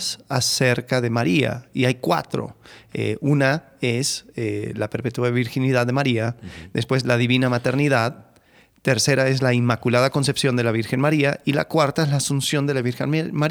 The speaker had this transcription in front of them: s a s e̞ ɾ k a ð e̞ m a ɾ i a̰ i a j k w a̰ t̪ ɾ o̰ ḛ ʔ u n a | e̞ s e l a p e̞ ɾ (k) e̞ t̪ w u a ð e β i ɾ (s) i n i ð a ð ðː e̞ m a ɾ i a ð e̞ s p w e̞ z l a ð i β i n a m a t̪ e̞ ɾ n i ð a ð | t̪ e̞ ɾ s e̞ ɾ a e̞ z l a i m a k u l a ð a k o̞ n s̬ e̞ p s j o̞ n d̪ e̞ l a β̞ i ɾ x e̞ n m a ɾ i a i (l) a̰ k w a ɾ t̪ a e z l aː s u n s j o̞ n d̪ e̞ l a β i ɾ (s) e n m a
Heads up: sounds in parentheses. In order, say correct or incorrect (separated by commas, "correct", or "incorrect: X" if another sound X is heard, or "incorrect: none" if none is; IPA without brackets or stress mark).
incorrect: p, incorrect: x, correct, incorrect: x